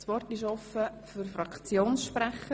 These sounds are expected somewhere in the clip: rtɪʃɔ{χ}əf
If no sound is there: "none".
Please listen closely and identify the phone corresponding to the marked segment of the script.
f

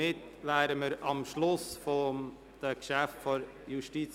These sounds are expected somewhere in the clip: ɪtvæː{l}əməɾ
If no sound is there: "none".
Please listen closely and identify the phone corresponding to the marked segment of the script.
ɾ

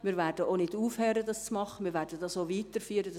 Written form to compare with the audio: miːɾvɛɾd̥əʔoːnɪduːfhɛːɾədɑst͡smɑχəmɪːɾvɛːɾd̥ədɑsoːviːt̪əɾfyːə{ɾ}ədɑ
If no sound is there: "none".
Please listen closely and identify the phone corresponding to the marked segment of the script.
ɾ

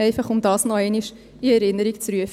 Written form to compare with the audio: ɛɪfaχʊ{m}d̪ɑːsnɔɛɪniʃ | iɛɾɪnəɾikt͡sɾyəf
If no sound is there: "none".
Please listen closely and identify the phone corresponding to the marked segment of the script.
m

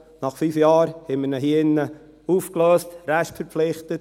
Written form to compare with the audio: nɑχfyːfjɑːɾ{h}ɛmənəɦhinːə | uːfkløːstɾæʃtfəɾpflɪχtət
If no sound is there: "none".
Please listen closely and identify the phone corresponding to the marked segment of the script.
h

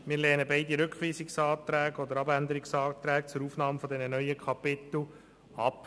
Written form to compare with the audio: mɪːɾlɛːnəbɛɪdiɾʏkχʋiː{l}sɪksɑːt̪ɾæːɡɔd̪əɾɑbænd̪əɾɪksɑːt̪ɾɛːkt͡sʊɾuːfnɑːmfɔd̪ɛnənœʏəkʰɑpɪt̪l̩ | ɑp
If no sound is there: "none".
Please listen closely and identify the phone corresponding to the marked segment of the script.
none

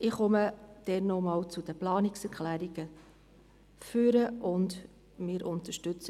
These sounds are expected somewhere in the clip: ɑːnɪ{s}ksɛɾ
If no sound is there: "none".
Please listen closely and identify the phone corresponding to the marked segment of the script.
none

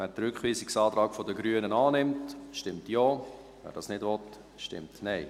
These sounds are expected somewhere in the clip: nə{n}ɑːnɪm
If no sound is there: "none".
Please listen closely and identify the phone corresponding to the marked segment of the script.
n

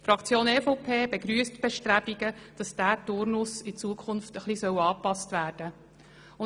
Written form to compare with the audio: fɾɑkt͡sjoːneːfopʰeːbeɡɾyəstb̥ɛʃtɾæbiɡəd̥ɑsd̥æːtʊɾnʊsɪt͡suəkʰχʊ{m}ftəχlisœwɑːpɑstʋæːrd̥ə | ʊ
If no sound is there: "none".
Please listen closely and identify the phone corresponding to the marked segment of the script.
n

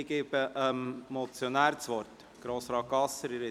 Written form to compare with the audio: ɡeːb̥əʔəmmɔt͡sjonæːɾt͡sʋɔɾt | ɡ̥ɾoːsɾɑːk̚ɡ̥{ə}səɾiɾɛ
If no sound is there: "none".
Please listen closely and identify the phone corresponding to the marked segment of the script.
ɑ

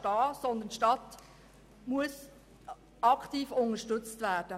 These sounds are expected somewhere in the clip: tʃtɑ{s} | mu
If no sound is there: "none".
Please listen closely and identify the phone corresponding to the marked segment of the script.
t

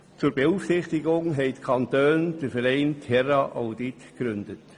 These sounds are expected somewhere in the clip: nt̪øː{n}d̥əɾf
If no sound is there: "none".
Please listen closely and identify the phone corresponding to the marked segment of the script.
n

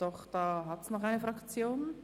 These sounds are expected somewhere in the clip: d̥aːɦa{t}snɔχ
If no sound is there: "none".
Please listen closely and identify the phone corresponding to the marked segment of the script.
t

